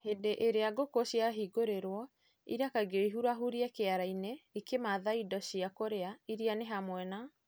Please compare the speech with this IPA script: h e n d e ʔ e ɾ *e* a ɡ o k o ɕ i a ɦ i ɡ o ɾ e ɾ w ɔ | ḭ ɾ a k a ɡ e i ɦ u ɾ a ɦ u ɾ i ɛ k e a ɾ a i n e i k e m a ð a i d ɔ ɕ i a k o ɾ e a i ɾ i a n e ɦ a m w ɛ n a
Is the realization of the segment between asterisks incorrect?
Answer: no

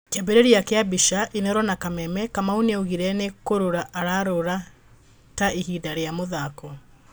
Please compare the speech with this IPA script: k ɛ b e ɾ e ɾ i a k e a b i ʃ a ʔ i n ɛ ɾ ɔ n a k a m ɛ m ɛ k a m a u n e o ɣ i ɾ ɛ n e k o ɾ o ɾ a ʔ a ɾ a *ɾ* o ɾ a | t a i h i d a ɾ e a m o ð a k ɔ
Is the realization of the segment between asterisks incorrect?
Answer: no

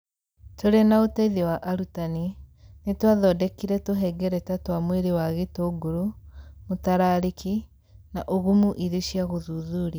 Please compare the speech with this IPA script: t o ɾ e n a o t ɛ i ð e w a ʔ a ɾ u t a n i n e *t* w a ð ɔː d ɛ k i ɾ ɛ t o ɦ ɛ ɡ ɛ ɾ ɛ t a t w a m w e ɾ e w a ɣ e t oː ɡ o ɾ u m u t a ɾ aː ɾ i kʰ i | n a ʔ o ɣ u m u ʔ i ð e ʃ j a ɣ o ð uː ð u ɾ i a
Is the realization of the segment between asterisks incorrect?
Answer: no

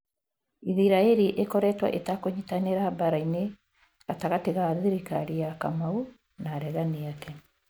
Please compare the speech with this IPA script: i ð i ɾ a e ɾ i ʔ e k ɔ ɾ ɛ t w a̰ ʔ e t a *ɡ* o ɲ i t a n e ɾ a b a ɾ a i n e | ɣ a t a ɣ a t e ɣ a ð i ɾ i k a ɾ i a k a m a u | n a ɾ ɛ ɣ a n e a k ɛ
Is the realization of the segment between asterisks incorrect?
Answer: yes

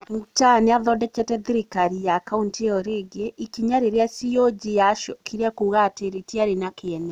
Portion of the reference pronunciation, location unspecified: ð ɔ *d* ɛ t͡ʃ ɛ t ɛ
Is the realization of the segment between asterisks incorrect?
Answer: no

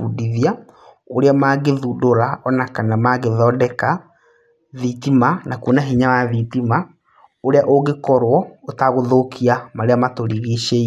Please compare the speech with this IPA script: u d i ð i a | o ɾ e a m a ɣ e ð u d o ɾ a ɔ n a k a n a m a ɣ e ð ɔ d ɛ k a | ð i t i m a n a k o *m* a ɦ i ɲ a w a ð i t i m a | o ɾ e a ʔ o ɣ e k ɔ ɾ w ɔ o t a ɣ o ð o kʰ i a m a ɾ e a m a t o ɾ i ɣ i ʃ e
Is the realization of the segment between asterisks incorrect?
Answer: yes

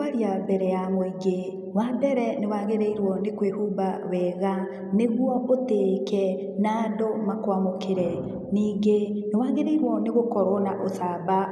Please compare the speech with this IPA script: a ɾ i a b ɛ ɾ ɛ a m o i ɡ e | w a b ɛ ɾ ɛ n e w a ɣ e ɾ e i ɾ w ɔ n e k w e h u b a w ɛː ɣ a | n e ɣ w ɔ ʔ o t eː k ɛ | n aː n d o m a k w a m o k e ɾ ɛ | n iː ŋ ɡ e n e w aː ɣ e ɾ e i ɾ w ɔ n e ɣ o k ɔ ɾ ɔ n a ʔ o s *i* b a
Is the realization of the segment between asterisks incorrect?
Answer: yes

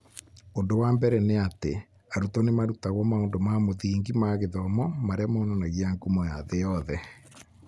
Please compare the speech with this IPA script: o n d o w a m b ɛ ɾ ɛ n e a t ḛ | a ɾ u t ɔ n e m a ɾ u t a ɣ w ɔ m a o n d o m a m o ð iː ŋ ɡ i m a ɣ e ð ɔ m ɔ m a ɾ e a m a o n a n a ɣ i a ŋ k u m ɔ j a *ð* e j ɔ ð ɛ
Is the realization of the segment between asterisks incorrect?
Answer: no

